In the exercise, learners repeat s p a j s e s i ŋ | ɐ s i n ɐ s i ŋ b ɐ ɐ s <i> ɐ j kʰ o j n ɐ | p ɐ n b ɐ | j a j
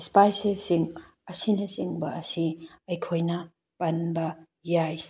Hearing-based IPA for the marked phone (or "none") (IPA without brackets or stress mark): i